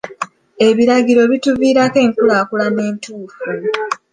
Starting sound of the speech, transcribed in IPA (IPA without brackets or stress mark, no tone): e̞